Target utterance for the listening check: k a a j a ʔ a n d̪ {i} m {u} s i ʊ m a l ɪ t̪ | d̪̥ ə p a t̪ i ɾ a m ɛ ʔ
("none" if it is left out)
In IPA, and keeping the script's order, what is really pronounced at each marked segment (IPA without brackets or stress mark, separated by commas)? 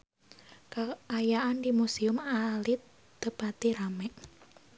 i, u